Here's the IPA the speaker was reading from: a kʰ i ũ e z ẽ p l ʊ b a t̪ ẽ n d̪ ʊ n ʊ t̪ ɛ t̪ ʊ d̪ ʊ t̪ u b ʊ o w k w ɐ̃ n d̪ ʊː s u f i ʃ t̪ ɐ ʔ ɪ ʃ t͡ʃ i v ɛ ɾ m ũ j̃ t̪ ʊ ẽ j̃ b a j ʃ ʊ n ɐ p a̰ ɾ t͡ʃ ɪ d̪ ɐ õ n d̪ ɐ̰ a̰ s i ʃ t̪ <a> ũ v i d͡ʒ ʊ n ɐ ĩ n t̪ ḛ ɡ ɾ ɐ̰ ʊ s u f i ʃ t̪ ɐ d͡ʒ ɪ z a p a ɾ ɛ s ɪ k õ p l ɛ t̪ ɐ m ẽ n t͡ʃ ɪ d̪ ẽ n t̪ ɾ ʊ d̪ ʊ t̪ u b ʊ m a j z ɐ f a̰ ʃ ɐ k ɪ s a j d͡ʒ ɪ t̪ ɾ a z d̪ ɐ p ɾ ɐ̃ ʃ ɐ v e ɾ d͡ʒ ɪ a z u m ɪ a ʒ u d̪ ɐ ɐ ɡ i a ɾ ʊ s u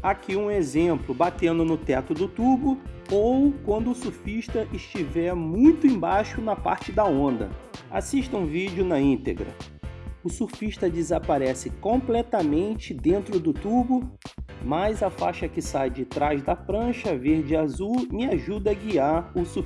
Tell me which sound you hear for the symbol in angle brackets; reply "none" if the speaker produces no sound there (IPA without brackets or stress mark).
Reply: ɐ